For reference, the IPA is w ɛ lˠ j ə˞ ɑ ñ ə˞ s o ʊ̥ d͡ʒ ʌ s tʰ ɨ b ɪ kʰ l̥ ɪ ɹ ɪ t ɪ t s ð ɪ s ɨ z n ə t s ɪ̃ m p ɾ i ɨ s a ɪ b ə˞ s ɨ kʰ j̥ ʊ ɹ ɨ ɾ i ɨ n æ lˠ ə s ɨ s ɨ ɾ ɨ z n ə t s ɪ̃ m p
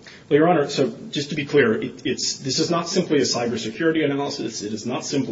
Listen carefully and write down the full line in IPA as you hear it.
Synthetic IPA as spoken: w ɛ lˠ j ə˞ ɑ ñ ə˞ s o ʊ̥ d͡ʒ ʌ s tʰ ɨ b i kʰ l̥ ɪ ɹ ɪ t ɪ t s ð ɪ s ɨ z n ə t s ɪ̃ m p l i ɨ s a ɪ b ə˞ s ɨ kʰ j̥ ʊ ɹ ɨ ɾ i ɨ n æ lˠ ə s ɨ s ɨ ɾ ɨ z n ə t s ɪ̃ m p